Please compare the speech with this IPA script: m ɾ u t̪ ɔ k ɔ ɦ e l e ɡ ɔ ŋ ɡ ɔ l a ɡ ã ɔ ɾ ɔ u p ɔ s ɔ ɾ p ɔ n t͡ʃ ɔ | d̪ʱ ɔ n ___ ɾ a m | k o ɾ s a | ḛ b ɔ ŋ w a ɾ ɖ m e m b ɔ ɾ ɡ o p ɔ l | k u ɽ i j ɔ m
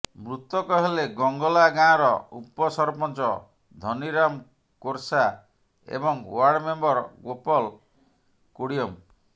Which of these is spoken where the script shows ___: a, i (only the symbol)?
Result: i